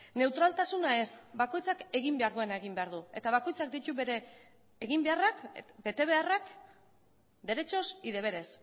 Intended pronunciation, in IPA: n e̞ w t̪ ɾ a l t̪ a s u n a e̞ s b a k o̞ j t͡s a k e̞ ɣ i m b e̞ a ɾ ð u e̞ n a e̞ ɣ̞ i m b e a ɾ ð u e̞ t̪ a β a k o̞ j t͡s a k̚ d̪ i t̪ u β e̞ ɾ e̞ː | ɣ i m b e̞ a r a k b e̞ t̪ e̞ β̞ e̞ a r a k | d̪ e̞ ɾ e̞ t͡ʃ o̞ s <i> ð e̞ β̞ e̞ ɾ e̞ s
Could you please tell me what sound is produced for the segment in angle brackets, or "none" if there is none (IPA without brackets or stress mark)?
i